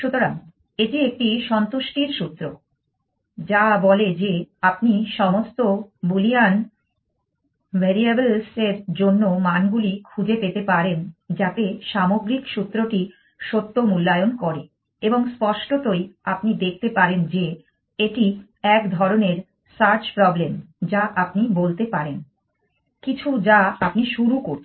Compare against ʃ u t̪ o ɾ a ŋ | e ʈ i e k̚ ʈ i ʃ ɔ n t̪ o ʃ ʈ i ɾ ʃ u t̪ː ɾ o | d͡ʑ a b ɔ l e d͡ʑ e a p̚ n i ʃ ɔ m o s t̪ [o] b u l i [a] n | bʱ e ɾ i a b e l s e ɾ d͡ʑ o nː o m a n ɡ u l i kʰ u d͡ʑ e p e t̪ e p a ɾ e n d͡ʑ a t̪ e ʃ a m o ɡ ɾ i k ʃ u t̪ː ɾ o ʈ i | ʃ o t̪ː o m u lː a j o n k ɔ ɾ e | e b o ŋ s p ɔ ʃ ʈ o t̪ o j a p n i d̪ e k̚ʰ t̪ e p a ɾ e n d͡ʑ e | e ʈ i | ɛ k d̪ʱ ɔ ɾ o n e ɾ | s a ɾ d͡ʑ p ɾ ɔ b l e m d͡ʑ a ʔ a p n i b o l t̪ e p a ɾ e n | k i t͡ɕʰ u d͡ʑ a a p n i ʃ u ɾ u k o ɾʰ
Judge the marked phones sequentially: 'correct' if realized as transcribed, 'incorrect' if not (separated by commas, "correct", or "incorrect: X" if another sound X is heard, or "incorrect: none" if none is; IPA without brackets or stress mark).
correct, correct